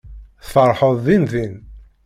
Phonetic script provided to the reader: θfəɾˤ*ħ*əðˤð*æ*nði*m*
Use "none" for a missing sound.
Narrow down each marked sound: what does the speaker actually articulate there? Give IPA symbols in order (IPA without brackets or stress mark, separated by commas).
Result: ħ, i, n